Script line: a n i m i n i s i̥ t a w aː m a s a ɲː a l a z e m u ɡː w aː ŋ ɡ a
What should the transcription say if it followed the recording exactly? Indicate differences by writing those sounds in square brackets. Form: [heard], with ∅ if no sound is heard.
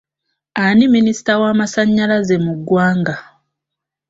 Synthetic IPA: a n i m i n i s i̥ t a w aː m a s a ɲː a l a z e m u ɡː w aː ŋ ɡ a